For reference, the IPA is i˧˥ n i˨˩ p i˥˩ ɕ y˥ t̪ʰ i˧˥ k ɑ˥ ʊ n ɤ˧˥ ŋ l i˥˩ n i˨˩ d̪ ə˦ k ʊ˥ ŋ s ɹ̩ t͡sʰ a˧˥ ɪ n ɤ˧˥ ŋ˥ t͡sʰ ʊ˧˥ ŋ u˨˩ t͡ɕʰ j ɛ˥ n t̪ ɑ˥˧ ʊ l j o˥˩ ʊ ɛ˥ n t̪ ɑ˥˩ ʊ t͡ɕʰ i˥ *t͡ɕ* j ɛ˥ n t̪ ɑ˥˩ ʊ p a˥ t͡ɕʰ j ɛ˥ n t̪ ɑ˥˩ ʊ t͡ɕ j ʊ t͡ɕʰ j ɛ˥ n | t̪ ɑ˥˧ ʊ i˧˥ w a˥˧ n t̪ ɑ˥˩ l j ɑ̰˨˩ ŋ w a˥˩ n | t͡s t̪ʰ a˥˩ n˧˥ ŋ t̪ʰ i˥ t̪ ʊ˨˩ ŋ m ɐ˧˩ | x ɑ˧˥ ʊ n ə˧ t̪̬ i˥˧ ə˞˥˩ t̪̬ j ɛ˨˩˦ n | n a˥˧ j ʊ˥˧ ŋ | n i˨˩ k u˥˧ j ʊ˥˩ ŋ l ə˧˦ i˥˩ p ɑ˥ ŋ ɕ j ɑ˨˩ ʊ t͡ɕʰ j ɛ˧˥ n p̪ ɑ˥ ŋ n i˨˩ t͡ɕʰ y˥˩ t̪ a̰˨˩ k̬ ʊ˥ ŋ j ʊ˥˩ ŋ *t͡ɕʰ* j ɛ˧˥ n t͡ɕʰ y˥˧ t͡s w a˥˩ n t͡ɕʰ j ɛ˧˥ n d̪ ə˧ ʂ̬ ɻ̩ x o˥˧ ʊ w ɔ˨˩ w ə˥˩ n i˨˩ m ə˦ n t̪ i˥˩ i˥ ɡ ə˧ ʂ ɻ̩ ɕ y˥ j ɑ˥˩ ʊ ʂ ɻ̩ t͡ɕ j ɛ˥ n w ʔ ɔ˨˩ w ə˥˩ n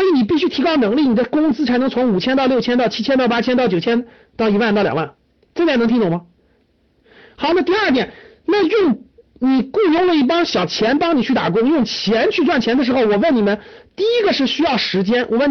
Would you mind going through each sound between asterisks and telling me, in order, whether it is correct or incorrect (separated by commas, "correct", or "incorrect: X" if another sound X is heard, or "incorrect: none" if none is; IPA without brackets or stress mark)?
incorrect: t͡ɕʰ, correct